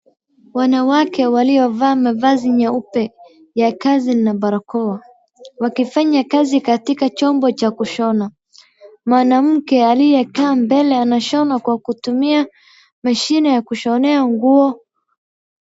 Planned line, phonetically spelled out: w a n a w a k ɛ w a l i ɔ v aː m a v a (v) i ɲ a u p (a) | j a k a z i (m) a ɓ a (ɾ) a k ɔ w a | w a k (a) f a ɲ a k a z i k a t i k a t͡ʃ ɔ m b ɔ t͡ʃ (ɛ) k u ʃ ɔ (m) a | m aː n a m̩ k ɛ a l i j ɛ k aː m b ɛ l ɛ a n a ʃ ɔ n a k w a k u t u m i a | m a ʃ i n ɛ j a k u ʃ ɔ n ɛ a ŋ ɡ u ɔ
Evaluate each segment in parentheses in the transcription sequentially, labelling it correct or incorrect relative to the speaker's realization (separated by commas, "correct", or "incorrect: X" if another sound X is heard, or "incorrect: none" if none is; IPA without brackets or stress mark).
incorrect: z, incorrect: ɛ, incorrect: n, correct, incorrect: i, incorrect: a, incorrect: n